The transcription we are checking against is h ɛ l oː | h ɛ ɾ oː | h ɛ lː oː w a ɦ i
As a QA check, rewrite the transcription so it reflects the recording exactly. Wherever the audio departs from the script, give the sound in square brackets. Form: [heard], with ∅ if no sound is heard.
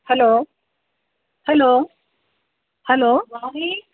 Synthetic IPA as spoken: h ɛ l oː | h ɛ [l] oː | h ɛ [l] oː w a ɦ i